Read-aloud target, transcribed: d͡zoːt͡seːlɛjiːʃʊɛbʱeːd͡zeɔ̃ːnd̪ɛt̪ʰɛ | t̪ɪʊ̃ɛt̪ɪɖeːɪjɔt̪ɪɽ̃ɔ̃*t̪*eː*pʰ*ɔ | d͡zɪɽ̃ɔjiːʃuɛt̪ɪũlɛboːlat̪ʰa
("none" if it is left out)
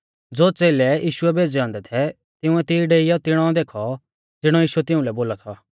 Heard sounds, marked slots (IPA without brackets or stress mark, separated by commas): d̪, kʰ